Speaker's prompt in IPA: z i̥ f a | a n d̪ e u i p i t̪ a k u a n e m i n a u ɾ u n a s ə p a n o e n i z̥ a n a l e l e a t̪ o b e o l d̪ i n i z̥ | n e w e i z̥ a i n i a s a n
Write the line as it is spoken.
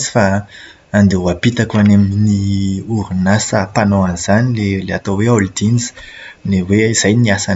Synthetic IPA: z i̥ f a | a n d̪ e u a p i t̪ a k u a n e m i n i u ɾ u n a s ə p a n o a n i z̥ a n i l e l e a t̪ o w e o l d̪ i n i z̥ | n e w e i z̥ a j n i a s a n